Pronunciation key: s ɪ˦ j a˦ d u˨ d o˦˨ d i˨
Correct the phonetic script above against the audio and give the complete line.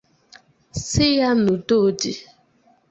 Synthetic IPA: s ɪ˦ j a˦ n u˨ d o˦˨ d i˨

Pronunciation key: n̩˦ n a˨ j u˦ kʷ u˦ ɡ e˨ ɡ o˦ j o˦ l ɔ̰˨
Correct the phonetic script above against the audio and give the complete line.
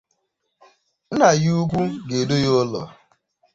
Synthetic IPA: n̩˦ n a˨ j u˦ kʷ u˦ ɡ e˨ d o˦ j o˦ l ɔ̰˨

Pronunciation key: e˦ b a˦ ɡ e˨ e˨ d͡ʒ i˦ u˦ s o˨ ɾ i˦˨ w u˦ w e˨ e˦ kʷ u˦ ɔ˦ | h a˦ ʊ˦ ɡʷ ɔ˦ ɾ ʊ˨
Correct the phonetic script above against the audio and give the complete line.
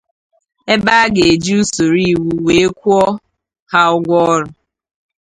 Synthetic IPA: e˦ b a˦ ɡ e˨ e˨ d͡ʒ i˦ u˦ s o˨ ɾ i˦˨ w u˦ w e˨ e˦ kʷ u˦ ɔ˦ | h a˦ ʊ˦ ɡʷ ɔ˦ ɾ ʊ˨

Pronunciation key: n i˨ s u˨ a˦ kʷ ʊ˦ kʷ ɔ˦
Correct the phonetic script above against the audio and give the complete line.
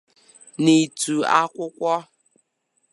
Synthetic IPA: n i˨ t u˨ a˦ kʷ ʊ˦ kʷ ɔ˦

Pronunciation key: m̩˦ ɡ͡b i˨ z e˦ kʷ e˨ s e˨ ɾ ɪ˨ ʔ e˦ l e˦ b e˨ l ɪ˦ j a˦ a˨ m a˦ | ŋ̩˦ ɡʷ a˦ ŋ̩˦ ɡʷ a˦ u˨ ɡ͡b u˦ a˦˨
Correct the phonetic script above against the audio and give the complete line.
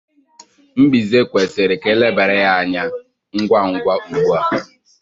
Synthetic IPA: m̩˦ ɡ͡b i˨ z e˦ kʷ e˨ s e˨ ɾ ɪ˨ k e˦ l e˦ b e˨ ɾ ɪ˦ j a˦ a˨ ɲ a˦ | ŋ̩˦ ɡʷ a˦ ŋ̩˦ ɡʷ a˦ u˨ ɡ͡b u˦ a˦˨

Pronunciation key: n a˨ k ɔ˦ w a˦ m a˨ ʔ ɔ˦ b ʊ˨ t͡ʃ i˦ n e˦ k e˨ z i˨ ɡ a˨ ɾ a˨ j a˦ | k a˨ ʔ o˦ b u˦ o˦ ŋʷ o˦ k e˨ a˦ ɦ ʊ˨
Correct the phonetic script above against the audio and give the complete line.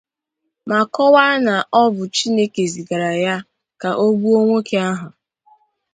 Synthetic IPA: m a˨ k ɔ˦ w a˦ n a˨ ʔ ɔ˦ b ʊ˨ t͡ʃ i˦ n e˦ k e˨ z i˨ ɡ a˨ ɾ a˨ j a˦ | k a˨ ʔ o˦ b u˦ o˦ ŋʷ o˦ k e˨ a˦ ɦ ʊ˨

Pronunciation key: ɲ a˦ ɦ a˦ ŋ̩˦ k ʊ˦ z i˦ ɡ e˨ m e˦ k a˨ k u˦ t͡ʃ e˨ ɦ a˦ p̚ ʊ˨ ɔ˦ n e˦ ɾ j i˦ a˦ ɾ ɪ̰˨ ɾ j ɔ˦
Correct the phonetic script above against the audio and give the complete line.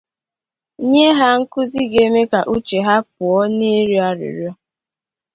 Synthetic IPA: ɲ e˦ ɦ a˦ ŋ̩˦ k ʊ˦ z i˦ ɡ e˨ m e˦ k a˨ ʔ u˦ t͡ʃ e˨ ɦ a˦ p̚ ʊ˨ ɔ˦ n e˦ ɾ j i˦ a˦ ɾ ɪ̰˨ ɾ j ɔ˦

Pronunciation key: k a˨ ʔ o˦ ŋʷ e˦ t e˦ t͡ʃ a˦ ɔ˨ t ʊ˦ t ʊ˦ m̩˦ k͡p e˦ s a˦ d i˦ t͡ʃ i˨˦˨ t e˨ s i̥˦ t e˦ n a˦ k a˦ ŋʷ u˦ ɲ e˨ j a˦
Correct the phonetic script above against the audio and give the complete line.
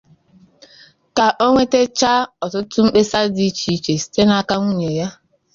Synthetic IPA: k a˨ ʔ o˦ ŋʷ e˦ t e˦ t͡ʃ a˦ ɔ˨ t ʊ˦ t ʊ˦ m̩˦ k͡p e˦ s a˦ d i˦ t͡ʃ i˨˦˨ t͡ʃ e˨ s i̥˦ t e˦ n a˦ k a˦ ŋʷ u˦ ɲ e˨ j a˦

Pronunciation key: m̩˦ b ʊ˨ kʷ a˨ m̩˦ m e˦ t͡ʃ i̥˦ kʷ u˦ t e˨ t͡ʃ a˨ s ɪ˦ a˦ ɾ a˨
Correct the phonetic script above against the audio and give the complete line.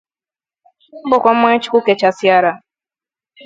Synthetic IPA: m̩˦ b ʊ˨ kʷ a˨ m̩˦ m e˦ t͡ʃ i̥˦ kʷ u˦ k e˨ t͡ʃ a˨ s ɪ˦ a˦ ɾ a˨

